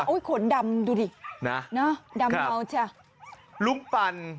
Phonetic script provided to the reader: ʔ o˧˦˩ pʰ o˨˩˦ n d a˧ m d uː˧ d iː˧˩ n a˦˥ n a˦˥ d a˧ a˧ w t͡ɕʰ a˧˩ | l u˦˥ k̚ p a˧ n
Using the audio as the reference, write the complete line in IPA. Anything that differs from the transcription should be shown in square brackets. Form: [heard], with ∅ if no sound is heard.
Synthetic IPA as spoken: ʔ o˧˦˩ [kʰ] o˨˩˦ n d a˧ m d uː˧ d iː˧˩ n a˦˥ n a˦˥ d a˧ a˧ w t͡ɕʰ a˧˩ | l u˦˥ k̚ p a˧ n